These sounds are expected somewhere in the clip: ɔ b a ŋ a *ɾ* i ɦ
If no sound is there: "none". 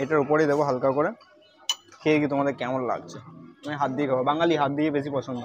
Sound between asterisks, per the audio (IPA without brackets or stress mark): l